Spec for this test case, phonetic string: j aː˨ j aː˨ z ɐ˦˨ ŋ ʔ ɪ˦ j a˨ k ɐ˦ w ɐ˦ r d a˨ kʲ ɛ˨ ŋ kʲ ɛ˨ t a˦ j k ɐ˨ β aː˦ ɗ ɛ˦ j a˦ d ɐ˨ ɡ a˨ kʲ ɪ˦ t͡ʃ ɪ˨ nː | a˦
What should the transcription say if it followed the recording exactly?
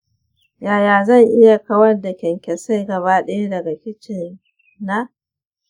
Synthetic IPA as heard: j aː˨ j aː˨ z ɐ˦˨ ŋ ʔ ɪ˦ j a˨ k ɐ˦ w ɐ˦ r d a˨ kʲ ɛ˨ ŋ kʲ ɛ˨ s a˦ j ɡ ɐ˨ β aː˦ ɗ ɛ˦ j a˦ d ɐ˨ ɡ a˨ kʲ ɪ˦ t͡ʃ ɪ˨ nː | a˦